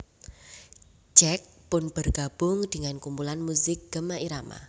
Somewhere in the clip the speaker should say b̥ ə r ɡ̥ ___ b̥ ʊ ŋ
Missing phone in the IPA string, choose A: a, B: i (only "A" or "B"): A